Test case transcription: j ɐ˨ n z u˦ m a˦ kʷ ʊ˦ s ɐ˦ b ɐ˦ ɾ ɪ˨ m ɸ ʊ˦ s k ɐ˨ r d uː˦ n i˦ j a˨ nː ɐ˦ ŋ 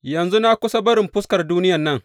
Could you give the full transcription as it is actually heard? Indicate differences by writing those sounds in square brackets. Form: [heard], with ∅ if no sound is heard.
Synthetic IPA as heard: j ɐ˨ n z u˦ [n] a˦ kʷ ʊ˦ s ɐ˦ b ɐ˦ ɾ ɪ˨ m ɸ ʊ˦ s k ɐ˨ r d uː˦ n [ɪ˦] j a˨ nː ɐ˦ ŋ